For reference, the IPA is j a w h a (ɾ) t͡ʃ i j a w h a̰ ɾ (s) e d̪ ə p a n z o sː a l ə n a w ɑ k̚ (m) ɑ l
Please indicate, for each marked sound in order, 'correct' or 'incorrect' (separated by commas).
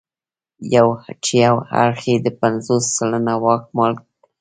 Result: incorrect, incorrect, correct